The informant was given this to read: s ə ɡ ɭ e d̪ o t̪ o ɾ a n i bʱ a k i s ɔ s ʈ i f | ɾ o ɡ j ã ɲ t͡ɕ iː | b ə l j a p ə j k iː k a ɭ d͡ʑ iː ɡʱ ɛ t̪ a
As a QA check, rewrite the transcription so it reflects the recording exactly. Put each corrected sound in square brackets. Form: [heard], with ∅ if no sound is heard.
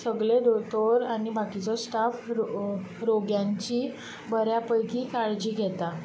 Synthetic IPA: s ə ɡ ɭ e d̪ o t̪ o ɾ a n i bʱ a k i [t͡s] ɔ s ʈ [a] f | ɾ o ɡ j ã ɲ t͡ɕ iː | b ə [ɾ] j a p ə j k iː k a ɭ d͡ʑ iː ɡʱ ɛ t̪ a